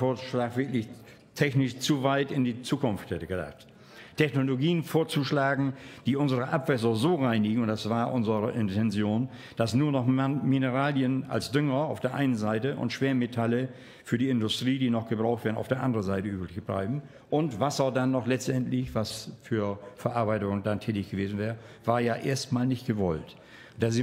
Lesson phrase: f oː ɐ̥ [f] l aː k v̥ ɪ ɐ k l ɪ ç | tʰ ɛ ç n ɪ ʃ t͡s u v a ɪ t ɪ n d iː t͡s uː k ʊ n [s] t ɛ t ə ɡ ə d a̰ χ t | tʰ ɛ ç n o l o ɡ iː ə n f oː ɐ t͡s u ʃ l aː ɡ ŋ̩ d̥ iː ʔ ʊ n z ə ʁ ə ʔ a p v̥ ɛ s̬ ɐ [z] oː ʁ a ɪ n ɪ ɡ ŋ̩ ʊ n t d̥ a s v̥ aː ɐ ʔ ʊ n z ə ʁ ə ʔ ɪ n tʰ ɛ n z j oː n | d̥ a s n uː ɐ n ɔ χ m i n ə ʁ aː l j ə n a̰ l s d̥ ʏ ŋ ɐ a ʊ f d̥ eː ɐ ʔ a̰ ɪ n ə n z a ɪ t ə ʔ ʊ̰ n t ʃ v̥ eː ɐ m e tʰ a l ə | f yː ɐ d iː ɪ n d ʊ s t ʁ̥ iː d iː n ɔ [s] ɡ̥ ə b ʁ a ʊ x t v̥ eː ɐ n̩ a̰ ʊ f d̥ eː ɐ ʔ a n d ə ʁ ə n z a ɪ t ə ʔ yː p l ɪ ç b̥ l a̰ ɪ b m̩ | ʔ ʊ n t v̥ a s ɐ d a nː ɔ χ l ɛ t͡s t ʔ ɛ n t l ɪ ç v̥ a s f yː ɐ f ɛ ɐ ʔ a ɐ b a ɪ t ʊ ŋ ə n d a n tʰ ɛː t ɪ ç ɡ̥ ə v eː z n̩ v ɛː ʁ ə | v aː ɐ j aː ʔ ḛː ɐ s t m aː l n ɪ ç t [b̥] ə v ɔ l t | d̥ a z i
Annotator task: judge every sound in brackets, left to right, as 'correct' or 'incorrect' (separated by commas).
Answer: incorrect, incorrect, correct, incorrect, incorrect